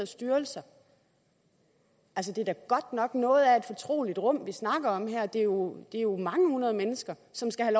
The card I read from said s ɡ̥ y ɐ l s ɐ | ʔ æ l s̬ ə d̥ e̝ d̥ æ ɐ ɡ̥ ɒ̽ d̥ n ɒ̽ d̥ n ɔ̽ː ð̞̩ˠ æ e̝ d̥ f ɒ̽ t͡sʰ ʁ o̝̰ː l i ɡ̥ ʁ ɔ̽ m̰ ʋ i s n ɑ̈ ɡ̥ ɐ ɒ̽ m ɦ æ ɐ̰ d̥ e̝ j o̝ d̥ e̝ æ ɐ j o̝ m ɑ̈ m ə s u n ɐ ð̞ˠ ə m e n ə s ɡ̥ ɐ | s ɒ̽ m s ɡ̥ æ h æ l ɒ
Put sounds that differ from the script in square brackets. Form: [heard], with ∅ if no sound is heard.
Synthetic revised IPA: s [d̥] y ɐ l s ɐ | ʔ æ l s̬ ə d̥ e̝ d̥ æ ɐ ɡ̥ ɒ̽ d̥ n ɒ̽ [ɡ̥] n ɔ̽ː ð̞̩ˠ æ e̝ d̥ f ɒ̽ t͡sʰ ʁ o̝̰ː l i [d̥] ʁ ɔ̽ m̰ ʋ i s n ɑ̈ ɡ̥ ɐ ɒ̽ m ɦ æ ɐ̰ d̥ e̝ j o̝ d̥ e̝ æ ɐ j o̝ m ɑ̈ [ŋ] ə [h] u n ɐ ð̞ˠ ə m e n ə s ɡ̥ ɐ | s ɒ̽ m s ɡ̥ æ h æ l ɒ

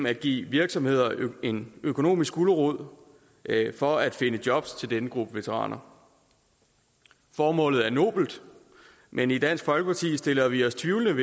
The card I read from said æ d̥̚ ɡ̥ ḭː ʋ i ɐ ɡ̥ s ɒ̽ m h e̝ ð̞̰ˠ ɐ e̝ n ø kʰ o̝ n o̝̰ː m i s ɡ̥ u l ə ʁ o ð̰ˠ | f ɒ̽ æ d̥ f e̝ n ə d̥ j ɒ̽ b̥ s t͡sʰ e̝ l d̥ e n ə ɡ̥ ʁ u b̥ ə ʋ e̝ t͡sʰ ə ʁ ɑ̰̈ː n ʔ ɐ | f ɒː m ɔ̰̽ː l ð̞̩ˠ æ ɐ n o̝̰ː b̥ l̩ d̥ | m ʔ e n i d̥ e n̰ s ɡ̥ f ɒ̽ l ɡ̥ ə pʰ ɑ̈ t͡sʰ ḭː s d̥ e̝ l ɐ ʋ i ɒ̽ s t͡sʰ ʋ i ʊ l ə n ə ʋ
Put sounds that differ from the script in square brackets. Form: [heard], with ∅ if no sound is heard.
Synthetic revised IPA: æ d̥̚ ɡ̥ ḭː ʋ i ɐ ɡ̥ s ɒ̽ m h e̝ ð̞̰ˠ ɐ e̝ n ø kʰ o̝ n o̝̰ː m i s ɡ̥ u l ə ʁ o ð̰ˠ | f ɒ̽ æ d̥ f e̝ n ə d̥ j ɒ̽ b̥ s t͡sʰ e̝ l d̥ e n ə ɡ̥ ʁ u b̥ ə ʋ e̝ t͡sʰ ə ʁ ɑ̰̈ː n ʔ ɐ | f ɒː m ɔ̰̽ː l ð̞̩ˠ æ ɐ n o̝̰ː b̥ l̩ d̥ | m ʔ e n i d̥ [æ] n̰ s ɡ̥ f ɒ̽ l ɡ̥ ə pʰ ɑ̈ t͡sʰ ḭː s d̥ e̝ l ɐ ʋ i ɒ̽ s t͡sʰ ʋ i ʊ l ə n ə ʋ

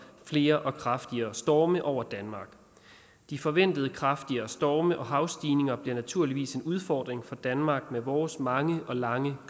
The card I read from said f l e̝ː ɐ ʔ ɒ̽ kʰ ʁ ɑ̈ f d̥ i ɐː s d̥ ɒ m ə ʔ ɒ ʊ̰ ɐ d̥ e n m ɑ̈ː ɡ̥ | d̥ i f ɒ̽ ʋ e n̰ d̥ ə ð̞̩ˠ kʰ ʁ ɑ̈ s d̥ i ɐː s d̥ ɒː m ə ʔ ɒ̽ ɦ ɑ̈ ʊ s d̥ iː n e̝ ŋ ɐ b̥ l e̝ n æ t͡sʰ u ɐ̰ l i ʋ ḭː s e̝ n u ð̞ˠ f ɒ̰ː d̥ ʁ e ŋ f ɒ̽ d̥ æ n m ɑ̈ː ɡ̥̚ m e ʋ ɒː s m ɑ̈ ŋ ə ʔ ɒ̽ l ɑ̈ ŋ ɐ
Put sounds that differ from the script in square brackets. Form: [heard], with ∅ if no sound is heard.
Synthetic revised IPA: f l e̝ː ɐ ʔ ɒ̽ kʰ ʁ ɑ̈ f d̥ i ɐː s d̥ [ɒː] m ə ʔ ɒ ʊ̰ ɐ d̥ [æ] n m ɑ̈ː ɡ̥ | d̥ i f ɒ̽ ʋ e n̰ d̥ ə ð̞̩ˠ kʰ ʁ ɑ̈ [f] d̥ i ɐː s d̥ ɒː m ə ʔ ɒ̽ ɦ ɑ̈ ʊ s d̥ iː n e̝ ŋ ɐ b̥ l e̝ n æ t͡sʰ u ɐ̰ l i ʋ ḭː s e̝ n u ð̞ˠ f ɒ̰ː d̥ ʁ e ŋ f ɒ̽ d̥ æ n m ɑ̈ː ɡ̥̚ m e ʋ ɒː s m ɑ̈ ŋ ə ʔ ɒ̽ l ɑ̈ ŋ [ə]

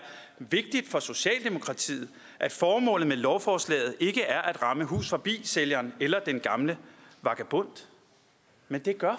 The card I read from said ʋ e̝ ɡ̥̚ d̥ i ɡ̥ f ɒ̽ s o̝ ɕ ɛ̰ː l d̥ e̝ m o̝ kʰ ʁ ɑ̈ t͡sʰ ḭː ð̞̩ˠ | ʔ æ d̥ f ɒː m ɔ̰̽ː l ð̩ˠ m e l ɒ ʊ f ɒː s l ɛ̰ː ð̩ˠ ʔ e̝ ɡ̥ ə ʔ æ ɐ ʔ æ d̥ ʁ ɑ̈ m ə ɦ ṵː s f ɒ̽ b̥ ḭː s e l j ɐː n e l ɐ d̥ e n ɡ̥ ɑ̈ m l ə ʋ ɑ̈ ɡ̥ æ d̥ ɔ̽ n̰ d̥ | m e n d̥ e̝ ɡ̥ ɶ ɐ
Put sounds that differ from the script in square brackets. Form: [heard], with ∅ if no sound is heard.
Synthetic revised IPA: ʋ e̝ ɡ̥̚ d̥ i [d̥] f ɒ̽ s o̝ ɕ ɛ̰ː l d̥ e̝ m o̝ kʰ ʁ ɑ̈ t͡sʰ ḭː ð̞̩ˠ | ʔ æ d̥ f ɒː m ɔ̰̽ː l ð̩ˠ m e l ɒ ʊ f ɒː s l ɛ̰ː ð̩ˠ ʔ e̝ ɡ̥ ə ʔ æ ɐ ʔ æ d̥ ʁ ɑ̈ m ə ɦ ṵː s f ɒ̽ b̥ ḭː s e l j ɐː n e l ɐ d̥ e n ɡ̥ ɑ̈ m l ə ʋ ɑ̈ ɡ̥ æ [b̥] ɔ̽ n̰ d̥ | m e n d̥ e̝ ɡ̥ ɶ ɐ

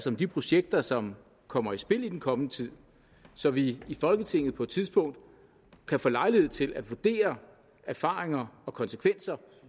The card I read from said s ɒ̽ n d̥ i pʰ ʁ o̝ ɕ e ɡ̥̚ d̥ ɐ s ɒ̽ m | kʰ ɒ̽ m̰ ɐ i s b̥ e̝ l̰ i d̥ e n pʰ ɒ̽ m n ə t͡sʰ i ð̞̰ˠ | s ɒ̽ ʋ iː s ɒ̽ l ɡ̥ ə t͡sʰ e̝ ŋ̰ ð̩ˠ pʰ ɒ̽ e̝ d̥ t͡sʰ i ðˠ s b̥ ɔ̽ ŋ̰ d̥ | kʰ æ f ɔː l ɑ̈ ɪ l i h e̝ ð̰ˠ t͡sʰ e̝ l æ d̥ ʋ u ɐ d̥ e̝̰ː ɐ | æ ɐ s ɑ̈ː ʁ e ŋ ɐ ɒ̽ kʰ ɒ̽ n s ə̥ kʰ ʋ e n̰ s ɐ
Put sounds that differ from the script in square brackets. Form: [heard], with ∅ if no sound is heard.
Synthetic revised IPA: s ɒ̽ [m] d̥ i pʰ ʁ o̝ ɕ e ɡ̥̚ d̥ ɐ s ɒ̽ m | kʰ ɒ̽ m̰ ɐ i s b̥ e̝ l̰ i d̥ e n [kʰ] ɒ̽ m n ə t͡sʰ i ð̞̰ˠ | s ɒ̽ ʋ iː [f] ɒ̽ l ɡ̥ ə t͡sʰ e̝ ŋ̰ ð̩ˠ pʰ ɒ̽ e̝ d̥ t͡sʰ i ðˠ s b̥ ɔ̽ ŋ̰ d̥ | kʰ æ f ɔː l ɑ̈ ɪ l i h e̝ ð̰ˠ t͡sʰ e̝ l æ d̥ ʋ u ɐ d̥ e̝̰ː ɐ | æ ɐ [f] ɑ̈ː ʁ e ŋ ɐ ɒ̽ kʰ ɒ̽ n s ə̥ kʰ ʋ e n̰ s ɐ

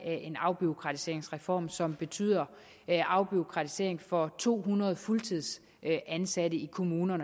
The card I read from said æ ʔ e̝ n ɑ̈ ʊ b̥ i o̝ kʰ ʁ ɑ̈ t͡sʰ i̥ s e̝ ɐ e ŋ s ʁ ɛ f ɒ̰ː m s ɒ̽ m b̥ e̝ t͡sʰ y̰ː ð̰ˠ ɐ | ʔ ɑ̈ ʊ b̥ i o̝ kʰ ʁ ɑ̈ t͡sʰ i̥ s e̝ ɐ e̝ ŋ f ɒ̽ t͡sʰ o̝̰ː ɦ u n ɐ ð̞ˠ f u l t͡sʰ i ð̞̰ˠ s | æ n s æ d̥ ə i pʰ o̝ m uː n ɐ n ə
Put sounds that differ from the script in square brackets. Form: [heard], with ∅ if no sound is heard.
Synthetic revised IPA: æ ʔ e̝ n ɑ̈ ʊ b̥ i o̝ kʰ ʁ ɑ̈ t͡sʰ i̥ s e̝ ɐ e ŋ s ʁ ɛ f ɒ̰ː m s ɒ̽ m b̥ e̝ t͡sʰ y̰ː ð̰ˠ ɐ | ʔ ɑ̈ ʊ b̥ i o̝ kʰ ʁ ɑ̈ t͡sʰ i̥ s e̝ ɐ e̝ ŋ f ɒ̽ t͡sʰ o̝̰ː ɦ u n ɐ ð̞ˠ f u l t͡sʰ i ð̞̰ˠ s | æ n s æ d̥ ə i [kʰ] o̝ m uː n ɐ n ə

